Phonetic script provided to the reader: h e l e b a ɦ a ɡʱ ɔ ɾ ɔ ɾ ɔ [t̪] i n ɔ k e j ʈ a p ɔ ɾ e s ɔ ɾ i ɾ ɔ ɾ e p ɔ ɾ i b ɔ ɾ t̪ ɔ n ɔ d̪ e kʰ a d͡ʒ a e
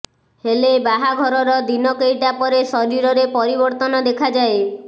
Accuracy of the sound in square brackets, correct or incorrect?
incorrect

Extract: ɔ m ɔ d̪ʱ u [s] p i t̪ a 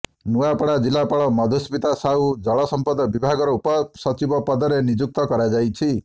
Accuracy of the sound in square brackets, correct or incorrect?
correct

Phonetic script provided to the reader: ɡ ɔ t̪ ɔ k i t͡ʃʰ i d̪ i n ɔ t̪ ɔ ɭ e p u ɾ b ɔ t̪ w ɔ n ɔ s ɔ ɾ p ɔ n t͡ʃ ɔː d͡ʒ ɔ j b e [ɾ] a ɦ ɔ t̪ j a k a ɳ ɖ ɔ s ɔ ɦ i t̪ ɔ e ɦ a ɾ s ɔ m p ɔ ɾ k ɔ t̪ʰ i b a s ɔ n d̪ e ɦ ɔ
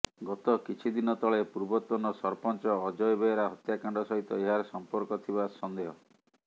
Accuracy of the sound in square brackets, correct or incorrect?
correct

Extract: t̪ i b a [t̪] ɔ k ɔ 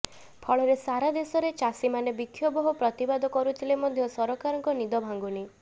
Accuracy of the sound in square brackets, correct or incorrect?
incorrect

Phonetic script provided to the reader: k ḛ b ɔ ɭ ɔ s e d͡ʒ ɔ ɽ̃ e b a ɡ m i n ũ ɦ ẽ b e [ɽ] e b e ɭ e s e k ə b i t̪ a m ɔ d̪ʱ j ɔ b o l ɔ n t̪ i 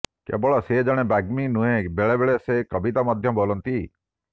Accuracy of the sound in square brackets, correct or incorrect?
incorrect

